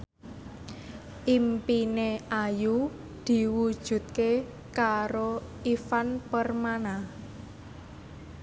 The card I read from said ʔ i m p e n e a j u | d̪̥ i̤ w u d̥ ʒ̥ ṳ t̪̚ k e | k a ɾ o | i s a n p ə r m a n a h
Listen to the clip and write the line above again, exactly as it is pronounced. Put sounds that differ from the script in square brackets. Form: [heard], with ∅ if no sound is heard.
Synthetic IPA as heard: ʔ i m p [i] n e a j u | d̪̥ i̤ w u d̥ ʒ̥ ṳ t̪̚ k e | k a ɾ o | i [f] a n p ə r m a n a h